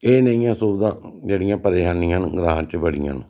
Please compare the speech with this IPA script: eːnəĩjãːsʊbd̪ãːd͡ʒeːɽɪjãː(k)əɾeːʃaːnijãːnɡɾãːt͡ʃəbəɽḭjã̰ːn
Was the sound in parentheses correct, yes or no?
no